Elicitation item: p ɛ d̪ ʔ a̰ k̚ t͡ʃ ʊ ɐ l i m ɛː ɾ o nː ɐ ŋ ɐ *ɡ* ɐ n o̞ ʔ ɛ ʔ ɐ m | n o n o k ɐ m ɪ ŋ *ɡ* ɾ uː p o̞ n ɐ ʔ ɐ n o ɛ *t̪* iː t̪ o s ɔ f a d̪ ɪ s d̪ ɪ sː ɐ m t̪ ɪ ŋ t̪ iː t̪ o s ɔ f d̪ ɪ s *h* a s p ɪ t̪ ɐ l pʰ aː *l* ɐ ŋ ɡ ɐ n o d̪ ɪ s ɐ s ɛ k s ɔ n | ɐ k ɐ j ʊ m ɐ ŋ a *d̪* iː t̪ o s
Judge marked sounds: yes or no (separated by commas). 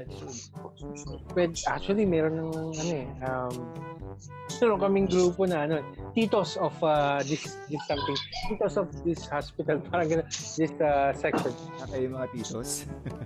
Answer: no, yes, yes, yes, no, no